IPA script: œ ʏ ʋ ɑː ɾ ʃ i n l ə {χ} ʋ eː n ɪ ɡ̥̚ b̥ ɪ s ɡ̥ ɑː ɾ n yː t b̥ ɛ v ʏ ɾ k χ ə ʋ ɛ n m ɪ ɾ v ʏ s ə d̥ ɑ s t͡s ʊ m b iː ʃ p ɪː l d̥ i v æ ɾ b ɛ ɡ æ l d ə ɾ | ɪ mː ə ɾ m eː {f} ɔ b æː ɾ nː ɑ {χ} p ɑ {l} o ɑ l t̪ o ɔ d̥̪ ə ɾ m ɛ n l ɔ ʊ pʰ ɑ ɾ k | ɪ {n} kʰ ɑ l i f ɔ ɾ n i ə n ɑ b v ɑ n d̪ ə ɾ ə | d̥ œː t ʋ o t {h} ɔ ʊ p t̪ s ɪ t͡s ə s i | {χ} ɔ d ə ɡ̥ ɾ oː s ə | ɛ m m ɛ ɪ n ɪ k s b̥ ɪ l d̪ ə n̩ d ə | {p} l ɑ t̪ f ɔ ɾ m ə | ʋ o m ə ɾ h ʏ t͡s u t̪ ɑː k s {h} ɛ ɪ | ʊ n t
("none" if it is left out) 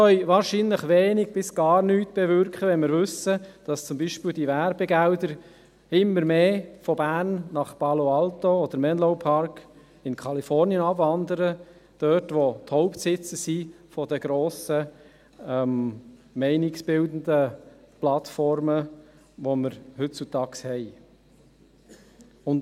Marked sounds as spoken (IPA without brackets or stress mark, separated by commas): χ, f, χ, l, n, h, f, p, h